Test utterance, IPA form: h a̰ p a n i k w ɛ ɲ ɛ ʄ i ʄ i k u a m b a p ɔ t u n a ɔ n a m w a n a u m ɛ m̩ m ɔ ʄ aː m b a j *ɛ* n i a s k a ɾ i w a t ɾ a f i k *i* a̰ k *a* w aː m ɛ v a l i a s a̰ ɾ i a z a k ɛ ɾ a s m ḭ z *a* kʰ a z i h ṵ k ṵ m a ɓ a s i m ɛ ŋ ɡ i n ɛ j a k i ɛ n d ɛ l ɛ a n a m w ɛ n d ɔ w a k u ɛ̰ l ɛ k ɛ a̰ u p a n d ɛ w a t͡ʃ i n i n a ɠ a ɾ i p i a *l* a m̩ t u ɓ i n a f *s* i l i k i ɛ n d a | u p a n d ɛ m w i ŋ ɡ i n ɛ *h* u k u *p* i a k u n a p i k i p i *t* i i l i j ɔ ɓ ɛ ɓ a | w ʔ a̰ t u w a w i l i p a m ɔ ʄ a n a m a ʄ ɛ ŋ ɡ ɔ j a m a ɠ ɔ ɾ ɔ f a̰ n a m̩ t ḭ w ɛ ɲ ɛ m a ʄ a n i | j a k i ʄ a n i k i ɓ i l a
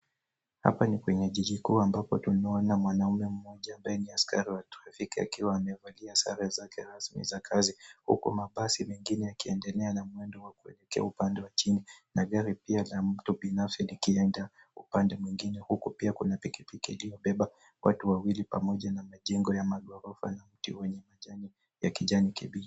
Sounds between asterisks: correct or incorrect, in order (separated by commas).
correct, correct, incorrect, correct, correct, correct, correct, correct, incorrect